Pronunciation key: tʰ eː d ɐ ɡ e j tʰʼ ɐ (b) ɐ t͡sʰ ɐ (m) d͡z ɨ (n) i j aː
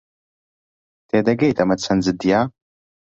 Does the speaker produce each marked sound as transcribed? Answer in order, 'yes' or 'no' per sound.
no, no, no

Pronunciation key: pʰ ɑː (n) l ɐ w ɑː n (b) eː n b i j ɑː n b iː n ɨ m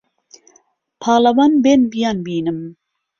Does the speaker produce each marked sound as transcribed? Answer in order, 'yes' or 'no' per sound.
no, yes

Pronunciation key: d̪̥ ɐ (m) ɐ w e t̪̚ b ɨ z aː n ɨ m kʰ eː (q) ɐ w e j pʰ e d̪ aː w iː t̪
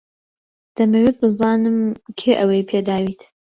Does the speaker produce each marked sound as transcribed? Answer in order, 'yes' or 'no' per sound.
yes, no

